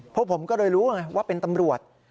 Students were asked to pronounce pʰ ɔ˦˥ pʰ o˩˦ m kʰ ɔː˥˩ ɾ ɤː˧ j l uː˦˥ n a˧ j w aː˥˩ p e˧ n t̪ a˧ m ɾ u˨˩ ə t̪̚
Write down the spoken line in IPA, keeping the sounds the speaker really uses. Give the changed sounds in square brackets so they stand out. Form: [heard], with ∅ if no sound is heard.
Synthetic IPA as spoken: pʰ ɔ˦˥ pʰ o˩˦ m [k] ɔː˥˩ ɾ ɤː˧ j [ɾ] uː˦˥ [ŋ] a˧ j w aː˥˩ p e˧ n t̪ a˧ m ɾ u˨˩ ə t̪̚

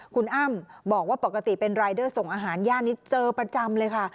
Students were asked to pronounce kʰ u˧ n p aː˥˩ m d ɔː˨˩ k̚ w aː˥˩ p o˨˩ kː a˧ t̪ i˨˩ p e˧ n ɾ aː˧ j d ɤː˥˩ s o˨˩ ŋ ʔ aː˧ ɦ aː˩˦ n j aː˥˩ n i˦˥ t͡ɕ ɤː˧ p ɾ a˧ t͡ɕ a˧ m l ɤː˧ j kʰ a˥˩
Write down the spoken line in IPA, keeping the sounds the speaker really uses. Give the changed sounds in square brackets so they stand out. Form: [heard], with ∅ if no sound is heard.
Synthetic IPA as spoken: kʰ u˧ n [ʔ] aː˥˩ m [b] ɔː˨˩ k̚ w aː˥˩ p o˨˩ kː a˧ t̪ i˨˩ p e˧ n ɾ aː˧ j d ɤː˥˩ s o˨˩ ŋ ʔ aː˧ ɦ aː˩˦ n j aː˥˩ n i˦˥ t͡ɕ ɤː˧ p ɾ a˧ t͡ɕ a˧ m l ɤː˧ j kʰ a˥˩

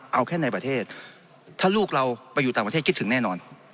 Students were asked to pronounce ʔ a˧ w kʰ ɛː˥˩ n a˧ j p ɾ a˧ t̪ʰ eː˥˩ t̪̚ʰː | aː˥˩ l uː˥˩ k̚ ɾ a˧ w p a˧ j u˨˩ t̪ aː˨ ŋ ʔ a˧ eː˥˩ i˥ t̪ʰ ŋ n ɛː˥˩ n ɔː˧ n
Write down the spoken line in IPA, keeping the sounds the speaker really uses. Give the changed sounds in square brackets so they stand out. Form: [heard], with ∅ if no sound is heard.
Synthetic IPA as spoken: ʔ a˧ w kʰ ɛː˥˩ n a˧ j p ɾ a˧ t̪ʰ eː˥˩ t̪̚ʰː | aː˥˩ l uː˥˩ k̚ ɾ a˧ w p a˧ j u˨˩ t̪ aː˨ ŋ [p] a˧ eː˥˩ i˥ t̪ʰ ŋ n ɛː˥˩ n ɔː˧ n

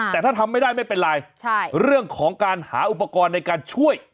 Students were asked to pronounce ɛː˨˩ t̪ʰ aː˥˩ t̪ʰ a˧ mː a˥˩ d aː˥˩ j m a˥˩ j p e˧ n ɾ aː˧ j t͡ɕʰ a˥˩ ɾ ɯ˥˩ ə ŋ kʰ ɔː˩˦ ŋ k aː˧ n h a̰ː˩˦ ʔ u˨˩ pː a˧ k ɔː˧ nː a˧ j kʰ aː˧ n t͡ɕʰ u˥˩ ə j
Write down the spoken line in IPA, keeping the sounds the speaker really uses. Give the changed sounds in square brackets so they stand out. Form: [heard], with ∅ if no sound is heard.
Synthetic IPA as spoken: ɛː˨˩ t̪ʰ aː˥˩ t̪ʰ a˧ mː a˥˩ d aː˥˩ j m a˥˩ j p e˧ n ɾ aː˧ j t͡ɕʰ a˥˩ ɾ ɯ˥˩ ə ŋ kʰ ɔː˩˦ ŋ k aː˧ n h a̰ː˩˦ ʔ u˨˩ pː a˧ k ɔː˧ nː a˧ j [k] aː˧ n t͡ɕʰ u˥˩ ə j

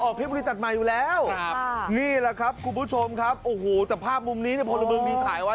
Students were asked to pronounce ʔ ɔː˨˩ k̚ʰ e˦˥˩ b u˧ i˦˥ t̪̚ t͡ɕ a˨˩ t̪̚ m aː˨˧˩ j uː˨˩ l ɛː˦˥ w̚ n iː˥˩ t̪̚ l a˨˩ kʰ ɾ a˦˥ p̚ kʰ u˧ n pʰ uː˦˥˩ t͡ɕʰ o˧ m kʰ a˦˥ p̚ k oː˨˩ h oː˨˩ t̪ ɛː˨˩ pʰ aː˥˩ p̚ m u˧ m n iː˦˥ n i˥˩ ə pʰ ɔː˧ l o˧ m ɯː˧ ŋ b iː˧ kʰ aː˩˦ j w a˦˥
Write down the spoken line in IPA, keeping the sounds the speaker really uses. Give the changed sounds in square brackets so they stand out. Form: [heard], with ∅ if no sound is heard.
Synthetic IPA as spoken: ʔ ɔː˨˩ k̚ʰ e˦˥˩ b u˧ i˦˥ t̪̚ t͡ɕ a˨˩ t̪̚ m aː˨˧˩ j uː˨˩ l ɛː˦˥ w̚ n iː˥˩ [∅] l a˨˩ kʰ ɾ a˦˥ p̚ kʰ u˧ n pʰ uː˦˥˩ t͡ɕʰ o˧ m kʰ a˦˥ p̚ [ʔ] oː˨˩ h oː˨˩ t̪ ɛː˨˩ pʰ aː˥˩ p̚ m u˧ m n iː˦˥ n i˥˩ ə pʰ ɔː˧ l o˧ m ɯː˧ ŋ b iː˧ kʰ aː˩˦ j w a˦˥

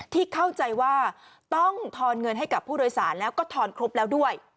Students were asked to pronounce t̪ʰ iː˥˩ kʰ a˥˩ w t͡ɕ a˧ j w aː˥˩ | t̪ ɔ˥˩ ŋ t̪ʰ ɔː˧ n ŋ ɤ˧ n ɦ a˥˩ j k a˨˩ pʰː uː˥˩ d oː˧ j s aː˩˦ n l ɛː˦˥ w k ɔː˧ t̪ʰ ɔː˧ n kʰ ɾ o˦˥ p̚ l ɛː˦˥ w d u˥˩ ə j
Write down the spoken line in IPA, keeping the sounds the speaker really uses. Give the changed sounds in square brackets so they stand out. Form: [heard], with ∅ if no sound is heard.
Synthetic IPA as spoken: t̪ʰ iː˥˩ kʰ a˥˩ w t͡ɕ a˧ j w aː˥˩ | t̪ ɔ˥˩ ŋ t̪ʰ ɔː˧ n ŋ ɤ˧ n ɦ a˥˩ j k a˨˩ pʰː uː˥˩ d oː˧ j s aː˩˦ n l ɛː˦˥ w k [ɔː˥˩] t̪ʰ ɔː˧ n kʰ ɾ o˦˥ p̚ l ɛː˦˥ w d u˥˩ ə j

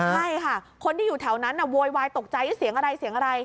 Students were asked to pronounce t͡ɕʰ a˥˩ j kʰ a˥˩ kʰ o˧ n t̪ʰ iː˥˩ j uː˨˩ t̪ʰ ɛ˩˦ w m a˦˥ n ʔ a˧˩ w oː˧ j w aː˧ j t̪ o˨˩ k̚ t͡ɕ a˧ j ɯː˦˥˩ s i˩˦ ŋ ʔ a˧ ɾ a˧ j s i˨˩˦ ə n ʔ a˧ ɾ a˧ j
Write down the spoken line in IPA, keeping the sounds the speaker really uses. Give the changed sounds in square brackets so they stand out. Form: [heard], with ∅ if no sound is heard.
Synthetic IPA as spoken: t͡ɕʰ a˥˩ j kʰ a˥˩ kʰ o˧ n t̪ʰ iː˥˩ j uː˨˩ t̪ʰ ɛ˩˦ w [n] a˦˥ n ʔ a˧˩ w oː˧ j w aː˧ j t̪ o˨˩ k̚ t͡ɕ a˧ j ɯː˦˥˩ s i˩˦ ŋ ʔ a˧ ɾ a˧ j s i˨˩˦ ə [ŋ] ʔ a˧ ɾ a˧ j

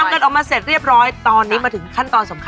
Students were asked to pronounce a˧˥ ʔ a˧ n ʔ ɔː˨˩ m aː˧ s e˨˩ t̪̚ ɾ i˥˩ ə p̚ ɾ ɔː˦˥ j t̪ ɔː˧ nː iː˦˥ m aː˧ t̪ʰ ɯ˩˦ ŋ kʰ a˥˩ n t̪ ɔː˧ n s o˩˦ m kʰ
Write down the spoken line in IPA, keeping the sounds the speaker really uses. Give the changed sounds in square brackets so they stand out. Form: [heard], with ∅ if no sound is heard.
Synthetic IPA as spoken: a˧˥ [k] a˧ n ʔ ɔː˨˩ m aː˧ s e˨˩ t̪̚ ɾ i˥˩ ə p̚ ɾ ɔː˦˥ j t̪ ɔː˧ nː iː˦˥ m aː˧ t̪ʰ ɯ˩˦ ŋ kʰ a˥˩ n t̪ ɔː˧ n s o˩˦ m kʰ

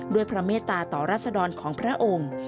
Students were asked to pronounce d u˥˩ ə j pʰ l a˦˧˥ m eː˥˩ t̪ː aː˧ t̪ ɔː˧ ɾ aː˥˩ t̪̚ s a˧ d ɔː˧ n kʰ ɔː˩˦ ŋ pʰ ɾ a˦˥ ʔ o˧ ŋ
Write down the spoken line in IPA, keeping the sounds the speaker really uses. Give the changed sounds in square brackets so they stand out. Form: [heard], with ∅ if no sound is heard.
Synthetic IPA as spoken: d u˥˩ ə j pʰ [ɾ] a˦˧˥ m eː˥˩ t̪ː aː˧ t̪ [ɔː˨˩] ɾ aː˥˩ t̪̚ s a˧ d ɔː˧ n kʰ ɔː˩˦ ŋ pʰ ɾ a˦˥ ʔ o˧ ŋ

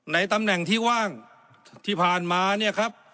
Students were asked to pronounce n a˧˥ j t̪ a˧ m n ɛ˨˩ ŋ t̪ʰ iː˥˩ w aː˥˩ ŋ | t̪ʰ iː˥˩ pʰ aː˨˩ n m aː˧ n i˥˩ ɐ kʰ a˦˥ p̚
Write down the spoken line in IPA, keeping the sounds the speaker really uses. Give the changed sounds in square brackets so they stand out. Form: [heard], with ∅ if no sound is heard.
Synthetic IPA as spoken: n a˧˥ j t̪ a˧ m n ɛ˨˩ ŋ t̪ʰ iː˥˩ w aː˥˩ ŋ | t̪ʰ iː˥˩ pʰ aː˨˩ n m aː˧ n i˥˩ ɐ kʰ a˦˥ p̚

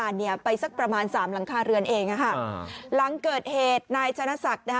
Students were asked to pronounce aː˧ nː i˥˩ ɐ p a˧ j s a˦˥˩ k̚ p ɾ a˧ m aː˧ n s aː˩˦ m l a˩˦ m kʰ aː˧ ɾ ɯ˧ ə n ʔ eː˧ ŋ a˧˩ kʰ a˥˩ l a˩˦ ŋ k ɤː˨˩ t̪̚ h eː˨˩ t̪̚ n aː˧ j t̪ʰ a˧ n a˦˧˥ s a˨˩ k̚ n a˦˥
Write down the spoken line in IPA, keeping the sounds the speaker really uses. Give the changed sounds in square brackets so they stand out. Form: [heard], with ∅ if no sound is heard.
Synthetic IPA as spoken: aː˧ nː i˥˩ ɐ p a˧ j s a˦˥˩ k̚ p ɾ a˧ m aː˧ n s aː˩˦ m l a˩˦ [ŋ] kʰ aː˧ ɾ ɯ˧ ə n ʔ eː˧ ŋ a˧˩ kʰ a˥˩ l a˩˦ ŋ k ɤː˨˩ t̪̚ h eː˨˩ t̪̚ n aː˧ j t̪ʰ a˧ n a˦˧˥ s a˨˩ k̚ n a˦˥

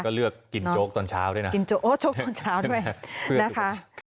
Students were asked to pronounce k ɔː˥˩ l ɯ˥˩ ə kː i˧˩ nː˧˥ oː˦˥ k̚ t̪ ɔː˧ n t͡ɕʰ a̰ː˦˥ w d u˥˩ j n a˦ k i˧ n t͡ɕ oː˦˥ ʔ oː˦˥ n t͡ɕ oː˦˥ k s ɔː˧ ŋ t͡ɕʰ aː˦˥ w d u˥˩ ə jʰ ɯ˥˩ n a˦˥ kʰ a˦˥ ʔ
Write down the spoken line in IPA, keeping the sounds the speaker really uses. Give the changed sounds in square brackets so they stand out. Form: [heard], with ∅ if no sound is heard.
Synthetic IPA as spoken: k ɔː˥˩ l ɯ˥˩ ə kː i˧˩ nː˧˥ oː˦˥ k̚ t̪ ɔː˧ n t͡ɕʰ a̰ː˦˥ w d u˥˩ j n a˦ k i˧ n t͡ɕ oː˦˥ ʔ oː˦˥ [∅] t͡ɕ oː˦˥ k [t] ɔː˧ [n] t͡ɕʰ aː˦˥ w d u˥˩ ə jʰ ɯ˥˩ n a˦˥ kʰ a˦˥ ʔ

